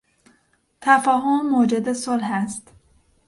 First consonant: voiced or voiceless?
voiceless